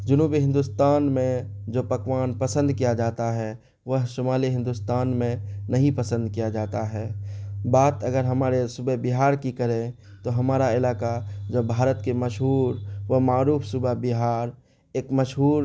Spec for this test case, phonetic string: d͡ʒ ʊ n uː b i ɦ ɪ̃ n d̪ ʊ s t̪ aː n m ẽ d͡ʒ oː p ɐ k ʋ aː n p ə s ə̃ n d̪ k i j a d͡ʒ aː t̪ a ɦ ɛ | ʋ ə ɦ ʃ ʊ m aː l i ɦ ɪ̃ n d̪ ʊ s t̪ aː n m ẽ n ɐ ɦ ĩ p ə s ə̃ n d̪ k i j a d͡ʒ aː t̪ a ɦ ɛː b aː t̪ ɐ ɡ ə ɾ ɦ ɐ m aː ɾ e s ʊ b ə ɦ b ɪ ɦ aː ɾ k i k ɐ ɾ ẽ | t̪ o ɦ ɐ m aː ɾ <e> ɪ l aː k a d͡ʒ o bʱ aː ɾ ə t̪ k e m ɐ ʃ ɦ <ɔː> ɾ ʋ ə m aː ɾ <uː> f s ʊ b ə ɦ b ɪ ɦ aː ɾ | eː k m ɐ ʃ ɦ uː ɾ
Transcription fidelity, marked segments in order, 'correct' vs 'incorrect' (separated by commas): incorrect, incorrect, correct